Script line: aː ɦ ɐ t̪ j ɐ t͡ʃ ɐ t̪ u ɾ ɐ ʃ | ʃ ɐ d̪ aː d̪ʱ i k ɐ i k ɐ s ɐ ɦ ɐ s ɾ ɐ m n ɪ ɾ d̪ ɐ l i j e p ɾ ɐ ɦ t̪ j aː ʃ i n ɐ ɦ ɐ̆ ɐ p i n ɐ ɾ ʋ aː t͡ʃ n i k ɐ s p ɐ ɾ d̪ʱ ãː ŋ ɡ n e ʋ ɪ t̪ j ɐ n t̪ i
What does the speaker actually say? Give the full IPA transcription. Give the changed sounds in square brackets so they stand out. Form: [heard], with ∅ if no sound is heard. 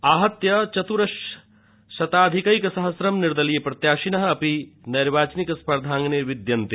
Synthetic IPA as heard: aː ɦ ɐ t̪ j ɐ t͡ʃ ɐ t̪ u ɾ ɐ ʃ | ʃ ɐ [t̪] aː d̪ʱ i k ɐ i k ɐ s ɐ ɦ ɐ s ɾ ɐ m n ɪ ɾ d̪ ɐ l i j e p ɾ ɐ [∅] t̪ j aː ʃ i n ɐ ɦ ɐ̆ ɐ p i n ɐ ɾ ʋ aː t͡ʃ n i k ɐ s p ɐ ɾ d̪ʱ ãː ŋ ɡ n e ʋ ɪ [d̪] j ɐ n t̪ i

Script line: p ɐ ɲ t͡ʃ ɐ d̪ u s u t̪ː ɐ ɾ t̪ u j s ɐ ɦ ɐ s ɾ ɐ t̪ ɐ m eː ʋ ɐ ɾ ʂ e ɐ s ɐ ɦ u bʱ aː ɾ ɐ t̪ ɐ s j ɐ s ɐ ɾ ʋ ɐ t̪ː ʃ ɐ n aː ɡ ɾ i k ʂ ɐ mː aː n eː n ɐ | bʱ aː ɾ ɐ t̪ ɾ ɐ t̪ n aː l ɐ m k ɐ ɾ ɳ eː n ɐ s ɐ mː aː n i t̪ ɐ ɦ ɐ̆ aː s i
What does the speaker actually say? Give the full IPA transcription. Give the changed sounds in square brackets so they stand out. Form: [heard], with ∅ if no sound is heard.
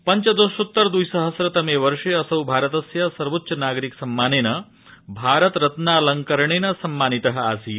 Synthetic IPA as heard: p ɐ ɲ t͡ʃ ɐ d̪ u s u t̪ː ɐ ɾ [d̪] u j s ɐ ɦ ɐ s ɾ ɐ t̪ ɐ m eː ʋ ɐ ɾ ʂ e ɐ s ɐ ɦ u bʱ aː ɾ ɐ t̪ ɐ s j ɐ s ɐ ɾ ʋ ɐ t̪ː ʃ ɐ n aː ɡ ɾ i k [s] ɐ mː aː n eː n ɐ | bʱ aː ɾ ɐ t̪ ɾ ɐ t̪ n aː l ɐ [ŋ] k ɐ ɾ ɳ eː n ɐ s ɐ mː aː n i t̪ ɐ ɦ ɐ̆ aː s i

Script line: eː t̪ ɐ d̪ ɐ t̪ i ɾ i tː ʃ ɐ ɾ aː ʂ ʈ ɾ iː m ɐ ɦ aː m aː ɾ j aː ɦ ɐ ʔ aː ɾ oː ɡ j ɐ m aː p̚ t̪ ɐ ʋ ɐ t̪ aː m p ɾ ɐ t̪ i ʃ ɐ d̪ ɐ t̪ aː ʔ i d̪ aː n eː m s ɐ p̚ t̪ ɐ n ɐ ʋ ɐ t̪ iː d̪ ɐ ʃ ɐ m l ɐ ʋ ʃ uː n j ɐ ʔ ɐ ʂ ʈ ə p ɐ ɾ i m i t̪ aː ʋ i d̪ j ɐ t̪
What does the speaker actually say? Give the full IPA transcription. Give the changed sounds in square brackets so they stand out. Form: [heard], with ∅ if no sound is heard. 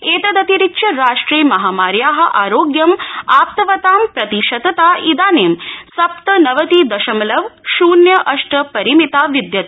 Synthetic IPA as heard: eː t̪ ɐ d̪ ɐ t̪ i ɾ i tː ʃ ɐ ɾ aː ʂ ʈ ɾ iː m ɐ ɦ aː m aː ɾ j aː ɦ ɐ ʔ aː ɾ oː ɡ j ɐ m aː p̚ t̪ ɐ ʋ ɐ t̪ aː m p ɾ ɐ t̪ i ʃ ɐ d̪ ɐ t̪ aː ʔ i d̪ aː n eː m s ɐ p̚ t̪ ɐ n ɐ ʋ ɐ t̪ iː d̪ ɐ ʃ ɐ m l ɐ ʋ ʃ uː n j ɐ ʔ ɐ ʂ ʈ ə p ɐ ɾ i m i t̪ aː ʋ i d̪ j ɐ t̪

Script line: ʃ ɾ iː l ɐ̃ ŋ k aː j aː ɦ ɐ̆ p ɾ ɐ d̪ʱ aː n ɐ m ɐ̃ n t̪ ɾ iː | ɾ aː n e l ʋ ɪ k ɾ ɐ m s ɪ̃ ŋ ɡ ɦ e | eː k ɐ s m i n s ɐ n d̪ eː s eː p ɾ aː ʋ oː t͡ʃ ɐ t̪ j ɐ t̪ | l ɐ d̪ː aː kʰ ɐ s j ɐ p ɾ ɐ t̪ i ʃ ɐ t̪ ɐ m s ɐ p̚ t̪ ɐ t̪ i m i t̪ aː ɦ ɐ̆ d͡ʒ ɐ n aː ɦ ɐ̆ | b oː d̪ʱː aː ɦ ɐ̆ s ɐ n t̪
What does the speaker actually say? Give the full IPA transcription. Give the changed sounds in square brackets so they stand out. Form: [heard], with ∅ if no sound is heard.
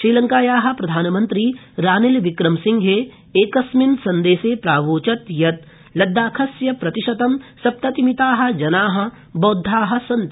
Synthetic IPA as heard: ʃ ɾ iː l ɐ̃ ŋ k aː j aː ɦ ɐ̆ p ɾ ɐ d̪ʱ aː n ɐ m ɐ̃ n t̪ ɾ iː | ɾ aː n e l ʋ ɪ k ɾ ɐ m s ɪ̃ ŋ ɡ ɦ e | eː k ɐ s m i n s ɐ n d̪ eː s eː p ɾ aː ʋ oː t͡ʃ ɐ t̪ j ɐ t̪ | l ɐ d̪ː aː kʰ ɐ s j ɐ p ɾ ɐ t̪ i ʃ ɐ t̪ ɐ m s ɐ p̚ t̪ ɐ t̪ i m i t̪ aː ɦ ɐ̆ d͡ʒ ɐ n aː ɦ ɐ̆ | b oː d̪ʱː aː ɦ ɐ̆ s ɐ n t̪

